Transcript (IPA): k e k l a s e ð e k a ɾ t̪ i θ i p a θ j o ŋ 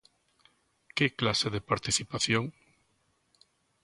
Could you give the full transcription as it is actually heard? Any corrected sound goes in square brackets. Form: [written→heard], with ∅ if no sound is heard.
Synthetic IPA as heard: k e k l a s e ð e [k→p] a ɾ t̪ i θ i p a θ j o ŋ